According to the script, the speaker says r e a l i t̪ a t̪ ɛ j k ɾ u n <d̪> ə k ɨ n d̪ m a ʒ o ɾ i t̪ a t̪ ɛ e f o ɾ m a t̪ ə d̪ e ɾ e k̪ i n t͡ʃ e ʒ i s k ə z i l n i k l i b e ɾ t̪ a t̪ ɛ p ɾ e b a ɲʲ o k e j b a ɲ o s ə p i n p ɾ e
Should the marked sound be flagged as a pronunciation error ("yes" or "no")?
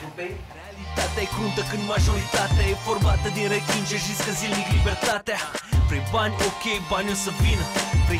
yes